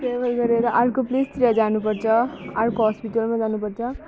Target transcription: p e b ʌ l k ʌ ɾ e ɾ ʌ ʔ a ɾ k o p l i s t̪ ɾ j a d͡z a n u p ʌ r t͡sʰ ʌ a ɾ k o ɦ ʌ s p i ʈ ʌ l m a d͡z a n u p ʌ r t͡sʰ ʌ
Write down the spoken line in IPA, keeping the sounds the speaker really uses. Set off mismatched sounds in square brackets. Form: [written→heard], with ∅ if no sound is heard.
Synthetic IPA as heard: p e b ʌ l [k→ɡ] ʌ ɾ e ɾ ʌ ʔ a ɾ k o p l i s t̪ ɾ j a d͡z a n u p ʌ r t͡sʰ ʌ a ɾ k o ɦ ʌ s p i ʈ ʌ l m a d͡z a n u p ʌ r t͡sʰ ʌ